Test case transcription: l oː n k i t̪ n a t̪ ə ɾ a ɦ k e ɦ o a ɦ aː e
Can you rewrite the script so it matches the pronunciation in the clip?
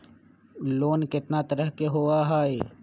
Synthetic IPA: l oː n k ɪ t̪ n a t̪ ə ɾ ə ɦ k e ɦ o a ɦ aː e